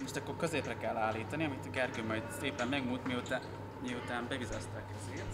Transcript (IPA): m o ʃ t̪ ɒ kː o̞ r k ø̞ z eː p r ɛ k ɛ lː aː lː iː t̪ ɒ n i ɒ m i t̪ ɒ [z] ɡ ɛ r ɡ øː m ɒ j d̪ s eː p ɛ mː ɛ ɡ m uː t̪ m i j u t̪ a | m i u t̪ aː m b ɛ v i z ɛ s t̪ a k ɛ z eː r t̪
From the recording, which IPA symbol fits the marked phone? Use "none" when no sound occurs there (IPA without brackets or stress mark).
none